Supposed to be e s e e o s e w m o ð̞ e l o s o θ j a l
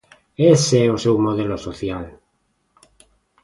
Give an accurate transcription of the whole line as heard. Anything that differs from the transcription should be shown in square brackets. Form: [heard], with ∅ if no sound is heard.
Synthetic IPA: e s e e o s e w m o ð̞ e l o s o θ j a l